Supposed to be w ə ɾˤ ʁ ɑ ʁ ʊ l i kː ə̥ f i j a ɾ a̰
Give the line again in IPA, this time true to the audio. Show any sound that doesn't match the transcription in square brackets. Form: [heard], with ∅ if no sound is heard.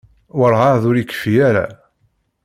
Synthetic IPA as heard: w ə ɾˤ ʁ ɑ [ð] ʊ [ɾ] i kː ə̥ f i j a ɾ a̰